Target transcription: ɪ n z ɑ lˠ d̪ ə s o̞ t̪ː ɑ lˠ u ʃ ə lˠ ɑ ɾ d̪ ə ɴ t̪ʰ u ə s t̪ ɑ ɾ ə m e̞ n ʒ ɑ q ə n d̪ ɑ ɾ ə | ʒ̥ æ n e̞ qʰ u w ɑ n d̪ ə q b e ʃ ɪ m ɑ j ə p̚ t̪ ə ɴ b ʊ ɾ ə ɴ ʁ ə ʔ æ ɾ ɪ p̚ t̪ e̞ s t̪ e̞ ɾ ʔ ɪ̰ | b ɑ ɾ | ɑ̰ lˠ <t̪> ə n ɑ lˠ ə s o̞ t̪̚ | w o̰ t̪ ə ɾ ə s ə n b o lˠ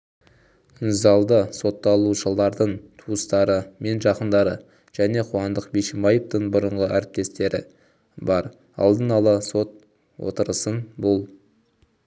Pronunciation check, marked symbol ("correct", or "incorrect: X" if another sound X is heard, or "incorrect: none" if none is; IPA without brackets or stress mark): incorrect: d̪